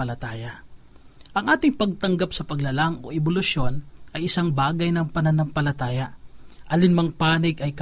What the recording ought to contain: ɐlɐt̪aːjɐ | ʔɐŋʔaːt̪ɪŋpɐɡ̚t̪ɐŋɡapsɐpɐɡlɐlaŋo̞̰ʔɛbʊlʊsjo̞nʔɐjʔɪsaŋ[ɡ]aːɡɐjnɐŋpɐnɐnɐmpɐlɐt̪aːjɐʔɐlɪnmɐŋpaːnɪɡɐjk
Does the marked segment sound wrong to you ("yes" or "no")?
yes